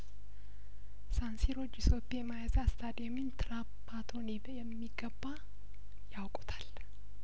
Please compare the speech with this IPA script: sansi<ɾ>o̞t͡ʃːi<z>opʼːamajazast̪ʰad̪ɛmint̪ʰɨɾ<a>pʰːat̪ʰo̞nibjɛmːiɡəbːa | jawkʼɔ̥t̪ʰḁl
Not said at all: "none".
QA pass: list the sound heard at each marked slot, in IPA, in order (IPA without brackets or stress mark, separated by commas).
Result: ɾ, s, a